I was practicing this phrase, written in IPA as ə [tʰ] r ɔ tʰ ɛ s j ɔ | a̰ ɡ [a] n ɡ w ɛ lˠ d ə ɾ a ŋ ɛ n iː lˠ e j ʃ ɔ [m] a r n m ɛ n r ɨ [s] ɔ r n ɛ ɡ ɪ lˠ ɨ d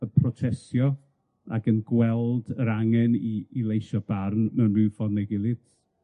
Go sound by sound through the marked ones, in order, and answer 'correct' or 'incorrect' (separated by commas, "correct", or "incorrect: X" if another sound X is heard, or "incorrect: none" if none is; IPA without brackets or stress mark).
incorrect: pʰ, incorrect: ə, incorrect: b, incorrect: f